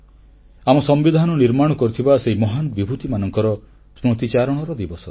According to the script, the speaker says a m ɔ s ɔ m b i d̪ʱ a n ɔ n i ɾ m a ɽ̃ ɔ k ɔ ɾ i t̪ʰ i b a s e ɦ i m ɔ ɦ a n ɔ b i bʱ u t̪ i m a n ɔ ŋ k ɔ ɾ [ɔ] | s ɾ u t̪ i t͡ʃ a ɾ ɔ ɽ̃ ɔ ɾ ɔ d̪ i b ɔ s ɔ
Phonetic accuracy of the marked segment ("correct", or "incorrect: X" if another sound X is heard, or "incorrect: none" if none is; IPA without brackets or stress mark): correct